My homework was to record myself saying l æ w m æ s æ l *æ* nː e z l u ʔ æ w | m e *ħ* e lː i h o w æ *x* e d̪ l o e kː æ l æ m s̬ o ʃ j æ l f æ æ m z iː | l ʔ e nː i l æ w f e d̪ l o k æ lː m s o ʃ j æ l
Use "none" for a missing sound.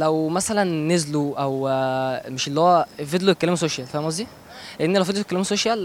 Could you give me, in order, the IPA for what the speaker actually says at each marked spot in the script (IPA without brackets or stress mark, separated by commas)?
æ, ʃ, f